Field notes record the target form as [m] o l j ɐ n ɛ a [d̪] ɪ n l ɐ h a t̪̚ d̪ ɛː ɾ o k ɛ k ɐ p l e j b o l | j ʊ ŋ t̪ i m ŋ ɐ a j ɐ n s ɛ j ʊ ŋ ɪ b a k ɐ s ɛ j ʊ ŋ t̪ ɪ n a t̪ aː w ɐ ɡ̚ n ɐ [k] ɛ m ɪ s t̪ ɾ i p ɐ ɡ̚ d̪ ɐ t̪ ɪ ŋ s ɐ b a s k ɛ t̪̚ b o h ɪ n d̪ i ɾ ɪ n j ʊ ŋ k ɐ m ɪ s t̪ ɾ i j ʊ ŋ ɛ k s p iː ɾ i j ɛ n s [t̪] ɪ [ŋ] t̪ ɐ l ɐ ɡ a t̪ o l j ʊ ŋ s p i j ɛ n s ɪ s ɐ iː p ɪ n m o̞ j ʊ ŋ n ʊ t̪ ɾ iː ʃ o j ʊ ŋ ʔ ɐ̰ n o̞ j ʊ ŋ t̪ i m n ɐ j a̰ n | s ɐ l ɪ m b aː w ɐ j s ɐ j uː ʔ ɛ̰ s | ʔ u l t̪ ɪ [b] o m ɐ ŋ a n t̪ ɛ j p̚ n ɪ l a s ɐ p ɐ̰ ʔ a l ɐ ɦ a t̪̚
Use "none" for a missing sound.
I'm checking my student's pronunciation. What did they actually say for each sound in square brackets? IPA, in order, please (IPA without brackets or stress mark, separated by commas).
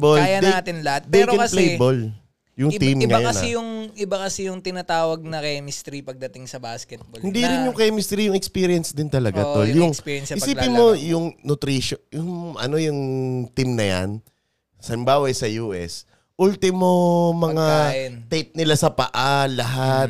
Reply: b, t̪, k, d̪, n, m